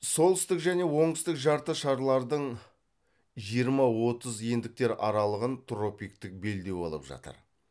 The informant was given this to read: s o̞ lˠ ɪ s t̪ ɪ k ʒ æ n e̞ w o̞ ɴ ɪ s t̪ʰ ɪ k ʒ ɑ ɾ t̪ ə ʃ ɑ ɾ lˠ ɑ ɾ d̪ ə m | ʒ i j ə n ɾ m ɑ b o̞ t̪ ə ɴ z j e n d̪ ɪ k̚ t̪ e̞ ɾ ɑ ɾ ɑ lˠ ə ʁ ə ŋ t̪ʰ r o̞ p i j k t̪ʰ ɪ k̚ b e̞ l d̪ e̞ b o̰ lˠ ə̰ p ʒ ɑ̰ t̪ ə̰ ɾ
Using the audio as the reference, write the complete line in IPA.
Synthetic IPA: s o̞ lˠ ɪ s t̪ ɪ k ʒ æ n e̞ w o̞ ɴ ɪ s t̪ ɪ k ʒ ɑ ɾ t̪ ə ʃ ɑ ɾ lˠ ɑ ɾ d̪ ə ɴ | ʒ i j ə ɾ m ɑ w o̞ t̪ ə z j e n d̪ ɪ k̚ t̪ e̞ ɾ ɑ ɾ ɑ lˠ ə ʁ ə n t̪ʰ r o̞ p i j k t̪ ɪ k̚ b e̞ l d̪ e̞ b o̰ lˠ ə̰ p ʒ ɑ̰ t̪ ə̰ ɾ